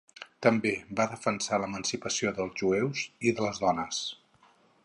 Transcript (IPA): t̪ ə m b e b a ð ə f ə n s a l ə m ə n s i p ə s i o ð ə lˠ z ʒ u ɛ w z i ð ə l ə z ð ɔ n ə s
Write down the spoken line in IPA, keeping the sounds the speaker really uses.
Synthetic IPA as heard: t̪ ə m b e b a ð ə f ə n s a l ə m ə n s i p ə s i o ð ə lˠ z ʒ u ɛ w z i ð ə l ə z ð ɔ n ə s

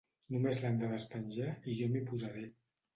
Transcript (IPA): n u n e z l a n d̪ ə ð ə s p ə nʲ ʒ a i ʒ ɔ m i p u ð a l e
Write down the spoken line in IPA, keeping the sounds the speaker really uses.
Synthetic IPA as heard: n u m e z l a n d̪ ə ð ə s p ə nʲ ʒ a i ʒ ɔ m i p u z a ɾ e

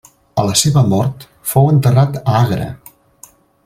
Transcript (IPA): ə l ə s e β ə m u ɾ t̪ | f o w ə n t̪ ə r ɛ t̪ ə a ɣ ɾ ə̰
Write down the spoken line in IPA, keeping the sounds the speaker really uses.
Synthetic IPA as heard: ə l ə s e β ə m ɔ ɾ t̪ | f o w ə n t̪ ə r a t̪ ə a ɣ ɾ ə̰

